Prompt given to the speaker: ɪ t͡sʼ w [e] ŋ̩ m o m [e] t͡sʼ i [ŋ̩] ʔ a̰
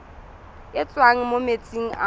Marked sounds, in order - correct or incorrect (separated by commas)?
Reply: incorrect, correct, correct